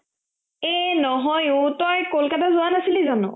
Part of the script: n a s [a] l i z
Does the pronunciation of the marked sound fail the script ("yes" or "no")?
yes